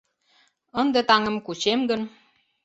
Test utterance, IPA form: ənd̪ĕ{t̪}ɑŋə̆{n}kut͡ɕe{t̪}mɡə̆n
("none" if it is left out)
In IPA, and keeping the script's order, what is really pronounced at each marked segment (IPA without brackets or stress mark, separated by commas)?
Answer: t̪, m, none